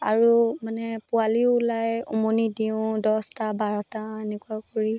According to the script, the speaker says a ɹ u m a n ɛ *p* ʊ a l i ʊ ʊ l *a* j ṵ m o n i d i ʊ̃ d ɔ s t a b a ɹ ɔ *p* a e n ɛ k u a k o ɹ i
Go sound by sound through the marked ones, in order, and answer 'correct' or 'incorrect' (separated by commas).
correct, correct, incorrect